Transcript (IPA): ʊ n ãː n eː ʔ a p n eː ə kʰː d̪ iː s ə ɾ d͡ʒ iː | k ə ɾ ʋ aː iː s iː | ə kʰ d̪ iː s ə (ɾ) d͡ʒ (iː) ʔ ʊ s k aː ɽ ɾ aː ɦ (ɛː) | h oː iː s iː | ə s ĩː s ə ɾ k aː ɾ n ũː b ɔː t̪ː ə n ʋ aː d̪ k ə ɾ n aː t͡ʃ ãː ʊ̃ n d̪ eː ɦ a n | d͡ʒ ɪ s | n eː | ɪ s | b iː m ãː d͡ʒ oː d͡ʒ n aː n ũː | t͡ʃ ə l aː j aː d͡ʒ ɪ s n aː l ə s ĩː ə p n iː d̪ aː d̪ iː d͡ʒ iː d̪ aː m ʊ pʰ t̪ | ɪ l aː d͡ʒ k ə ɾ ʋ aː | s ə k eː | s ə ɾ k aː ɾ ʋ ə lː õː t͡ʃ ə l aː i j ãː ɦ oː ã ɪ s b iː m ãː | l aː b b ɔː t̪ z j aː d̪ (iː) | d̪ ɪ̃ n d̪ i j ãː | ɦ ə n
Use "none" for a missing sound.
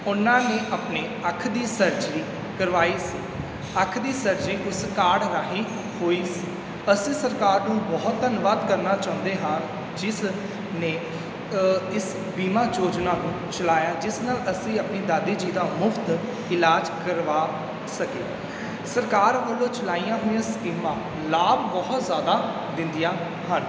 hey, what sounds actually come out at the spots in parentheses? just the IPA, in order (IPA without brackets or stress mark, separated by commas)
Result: ɾ, iː, iː, aː